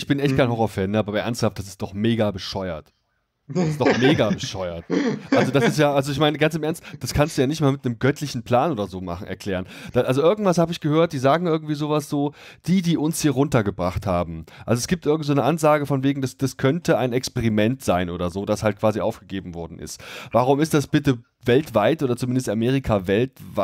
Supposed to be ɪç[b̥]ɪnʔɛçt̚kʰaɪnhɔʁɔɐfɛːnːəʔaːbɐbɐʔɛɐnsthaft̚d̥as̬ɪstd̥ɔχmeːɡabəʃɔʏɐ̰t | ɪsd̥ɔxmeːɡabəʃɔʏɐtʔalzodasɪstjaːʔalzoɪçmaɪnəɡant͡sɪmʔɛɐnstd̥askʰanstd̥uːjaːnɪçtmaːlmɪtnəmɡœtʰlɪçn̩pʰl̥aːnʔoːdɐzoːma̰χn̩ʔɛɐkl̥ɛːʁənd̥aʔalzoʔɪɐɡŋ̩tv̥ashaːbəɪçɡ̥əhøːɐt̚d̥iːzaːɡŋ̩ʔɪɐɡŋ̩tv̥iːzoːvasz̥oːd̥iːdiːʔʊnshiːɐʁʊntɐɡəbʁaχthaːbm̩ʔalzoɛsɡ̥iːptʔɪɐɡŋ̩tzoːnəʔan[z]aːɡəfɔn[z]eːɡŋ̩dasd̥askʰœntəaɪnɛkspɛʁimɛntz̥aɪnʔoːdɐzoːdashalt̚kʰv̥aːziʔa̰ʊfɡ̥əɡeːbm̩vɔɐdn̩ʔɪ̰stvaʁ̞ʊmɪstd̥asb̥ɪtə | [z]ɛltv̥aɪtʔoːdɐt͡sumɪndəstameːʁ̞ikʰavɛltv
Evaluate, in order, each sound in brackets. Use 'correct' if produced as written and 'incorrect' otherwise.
correct, correct, incorrect: v, incorrect: v

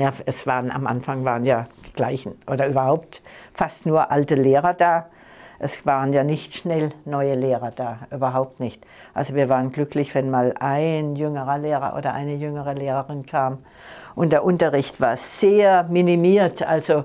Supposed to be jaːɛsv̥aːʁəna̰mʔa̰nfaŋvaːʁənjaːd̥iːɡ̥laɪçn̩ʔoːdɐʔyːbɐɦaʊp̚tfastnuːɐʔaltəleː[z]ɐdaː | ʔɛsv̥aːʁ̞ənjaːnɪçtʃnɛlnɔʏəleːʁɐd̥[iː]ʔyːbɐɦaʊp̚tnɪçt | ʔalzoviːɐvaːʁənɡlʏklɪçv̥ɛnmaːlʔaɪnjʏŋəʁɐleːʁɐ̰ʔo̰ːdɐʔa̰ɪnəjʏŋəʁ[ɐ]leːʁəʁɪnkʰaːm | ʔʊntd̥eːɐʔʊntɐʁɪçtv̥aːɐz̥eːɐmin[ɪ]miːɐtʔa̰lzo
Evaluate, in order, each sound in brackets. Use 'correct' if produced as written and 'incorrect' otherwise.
incorrect: ʁ, incorrect: aː, incorrect: ə, incorrect: i

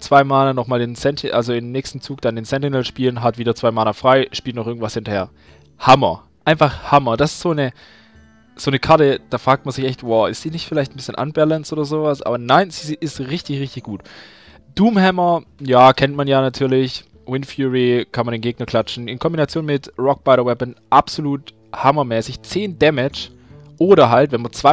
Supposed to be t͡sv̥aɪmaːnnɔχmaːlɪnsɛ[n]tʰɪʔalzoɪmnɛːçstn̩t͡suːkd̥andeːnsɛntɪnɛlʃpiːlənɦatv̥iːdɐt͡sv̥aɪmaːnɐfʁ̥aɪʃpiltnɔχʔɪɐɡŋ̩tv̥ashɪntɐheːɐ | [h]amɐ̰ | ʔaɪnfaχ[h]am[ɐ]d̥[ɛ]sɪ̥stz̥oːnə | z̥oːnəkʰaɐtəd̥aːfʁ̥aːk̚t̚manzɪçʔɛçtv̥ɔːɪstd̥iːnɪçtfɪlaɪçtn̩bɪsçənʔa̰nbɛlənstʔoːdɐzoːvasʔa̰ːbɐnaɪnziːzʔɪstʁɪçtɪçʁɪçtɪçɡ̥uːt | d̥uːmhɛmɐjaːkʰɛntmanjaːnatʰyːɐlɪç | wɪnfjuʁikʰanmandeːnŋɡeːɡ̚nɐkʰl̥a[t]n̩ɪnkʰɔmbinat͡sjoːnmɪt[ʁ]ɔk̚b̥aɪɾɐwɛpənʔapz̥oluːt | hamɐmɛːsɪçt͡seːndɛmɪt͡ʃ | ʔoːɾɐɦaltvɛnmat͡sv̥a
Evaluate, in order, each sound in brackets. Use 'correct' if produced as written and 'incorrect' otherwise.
correct, correct, correct, correct, incorrect: a, incorrect: t͡ʃ, correct

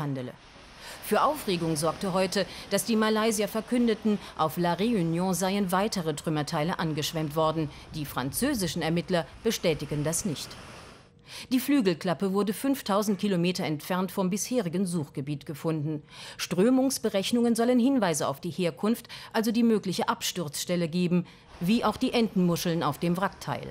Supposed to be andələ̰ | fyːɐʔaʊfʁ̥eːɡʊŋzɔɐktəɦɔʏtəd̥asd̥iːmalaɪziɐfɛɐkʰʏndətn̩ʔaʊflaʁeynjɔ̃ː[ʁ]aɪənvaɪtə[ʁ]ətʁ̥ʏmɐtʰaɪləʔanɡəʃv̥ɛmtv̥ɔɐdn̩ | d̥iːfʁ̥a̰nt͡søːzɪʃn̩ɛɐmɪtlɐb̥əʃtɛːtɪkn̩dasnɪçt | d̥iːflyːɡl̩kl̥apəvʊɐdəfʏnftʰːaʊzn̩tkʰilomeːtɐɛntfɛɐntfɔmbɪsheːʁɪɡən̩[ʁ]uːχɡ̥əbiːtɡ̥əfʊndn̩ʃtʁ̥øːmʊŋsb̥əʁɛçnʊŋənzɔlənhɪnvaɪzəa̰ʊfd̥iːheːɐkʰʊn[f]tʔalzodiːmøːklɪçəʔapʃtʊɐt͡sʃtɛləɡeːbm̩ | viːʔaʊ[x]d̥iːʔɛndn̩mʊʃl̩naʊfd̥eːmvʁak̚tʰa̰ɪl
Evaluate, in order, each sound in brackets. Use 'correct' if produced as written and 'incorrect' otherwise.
incorrect: z, correct, incorrect: z, correct, correct

